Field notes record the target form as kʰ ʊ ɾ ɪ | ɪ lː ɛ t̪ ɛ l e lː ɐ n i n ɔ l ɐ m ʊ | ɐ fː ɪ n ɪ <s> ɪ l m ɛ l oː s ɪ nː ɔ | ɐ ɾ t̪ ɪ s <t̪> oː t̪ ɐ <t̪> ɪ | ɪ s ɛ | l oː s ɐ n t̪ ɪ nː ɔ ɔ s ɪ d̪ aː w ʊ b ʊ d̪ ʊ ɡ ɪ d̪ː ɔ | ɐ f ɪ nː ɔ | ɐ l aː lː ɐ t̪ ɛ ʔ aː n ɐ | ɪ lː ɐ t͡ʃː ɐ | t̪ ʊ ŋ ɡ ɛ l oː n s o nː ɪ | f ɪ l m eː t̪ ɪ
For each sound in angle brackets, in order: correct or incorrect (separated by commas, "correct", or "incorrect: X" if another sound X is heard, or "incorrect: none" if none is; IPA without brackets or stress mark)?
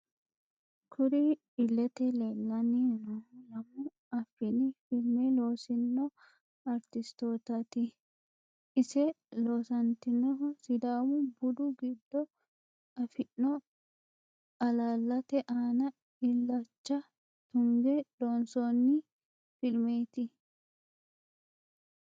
incorrect: f, correct, correct